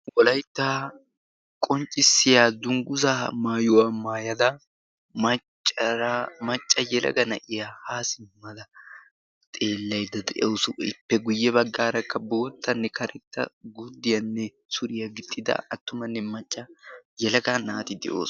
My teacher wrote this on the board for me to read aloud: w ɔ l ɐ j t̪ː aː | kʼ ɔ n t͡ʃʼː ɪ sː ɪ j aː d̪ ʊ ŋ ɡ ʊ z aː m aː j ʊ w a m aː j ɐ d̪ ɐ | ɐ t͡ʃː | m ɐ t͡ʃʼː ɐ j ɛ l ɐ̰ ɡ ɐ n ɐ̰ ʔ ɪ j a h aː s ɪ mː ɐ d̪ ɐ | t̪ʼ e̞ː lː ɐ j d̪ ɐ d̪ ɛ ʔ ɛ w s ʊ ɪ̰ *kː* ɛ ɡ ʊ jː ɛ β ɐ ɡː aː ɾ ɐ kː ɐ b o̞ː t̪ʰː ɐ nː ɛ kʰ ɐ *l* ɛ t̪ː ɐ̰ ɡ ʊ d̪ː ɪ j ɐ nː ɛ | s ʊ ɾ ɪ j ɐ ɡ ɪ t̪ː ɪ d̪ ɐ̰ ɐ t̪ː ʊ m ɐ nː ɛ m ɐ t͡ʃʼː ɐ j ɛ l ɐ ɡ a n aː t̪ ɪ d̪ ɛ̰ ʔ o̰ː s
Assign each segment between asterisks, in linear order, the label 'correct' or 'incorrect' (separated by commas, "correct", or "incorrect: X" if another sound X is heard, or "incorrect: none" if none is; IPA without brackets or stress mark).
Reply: incorrect: pː, incorrect: ɾ